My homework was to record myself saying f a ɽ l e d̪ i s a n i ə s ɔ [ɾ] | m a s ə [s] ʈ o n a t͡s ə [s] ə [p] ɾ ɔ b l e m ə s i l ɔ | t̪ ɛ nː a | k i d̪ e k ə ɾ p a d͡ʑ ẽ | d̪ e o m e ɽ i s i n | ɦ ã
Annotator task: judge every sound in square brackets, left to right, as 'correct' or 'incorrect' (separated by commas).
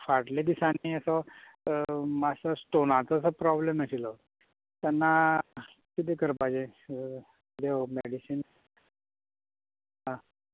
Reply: incorrect, correct, correct, correct